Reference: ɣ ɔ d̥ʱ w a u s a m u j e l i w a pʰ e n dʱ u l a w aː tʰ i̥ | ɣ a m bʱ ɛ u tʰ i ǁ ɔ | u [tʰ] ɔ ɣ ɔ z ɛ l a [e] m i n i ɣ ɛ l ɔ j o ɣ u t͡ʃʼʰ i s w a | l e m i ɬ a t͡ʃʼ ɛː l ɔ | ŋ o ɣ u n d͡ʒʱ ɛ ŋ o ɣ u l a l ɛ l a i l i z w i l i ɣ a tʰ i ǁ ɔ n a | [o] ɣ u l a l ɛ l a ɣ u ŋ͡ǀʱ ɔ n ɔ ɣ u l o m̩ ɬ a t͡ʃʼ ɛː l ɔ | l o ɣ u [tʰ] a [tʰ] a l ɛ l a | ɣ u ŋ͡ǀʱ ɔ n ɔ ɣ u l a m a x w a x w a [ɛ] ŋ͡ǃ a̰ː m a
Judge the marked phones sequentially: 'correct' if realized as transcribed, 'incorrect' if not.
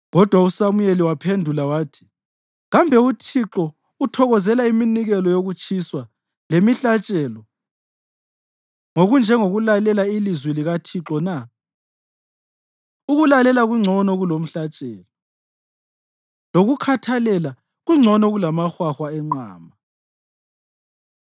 correct, incorrect: i, incorrect: u, incorrect: kʰ, correct, correct

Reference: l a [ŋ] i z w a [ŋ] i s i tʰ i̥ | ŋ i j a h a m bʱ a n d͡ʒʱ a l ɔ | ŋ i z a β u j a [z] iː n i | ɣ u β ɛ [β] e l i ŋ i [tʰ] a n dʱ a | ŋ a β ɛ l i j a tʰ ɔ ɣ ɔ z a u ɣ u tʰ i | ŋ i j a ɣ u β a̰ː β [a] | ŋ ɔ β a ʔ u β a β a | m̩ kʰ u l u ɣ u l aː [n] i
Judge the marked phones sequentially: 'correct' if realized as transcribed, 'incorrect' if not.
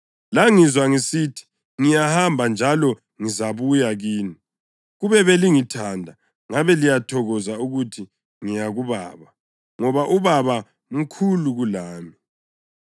correct, correct, incorrect: ɣ, correct, correct, correct, incorrect: m

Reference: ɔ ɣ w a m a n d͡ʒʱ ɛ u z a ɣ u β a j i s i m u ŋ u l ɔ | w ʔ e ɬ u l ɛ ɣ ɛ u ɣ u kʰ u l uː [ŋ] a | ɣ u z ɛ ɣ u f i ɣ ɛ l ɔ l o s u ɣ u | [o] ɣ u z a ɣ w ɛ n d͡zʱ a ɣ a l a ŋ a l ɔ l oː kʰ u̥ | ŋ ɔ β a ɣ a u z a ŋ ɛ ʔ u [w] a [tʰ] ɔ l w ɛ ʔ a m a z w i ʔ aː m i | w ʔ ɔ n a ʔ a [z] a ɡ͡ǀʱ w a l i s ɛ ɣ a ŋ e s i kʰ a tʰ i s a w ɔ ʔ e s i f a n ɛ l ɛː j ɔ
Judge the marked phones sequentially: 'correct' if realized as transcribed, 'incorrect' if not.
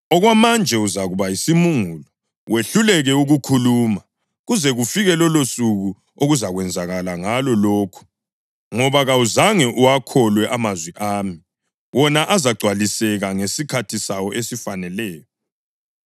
incorrect: m, correct, correct, incorrect: kʰ, correct

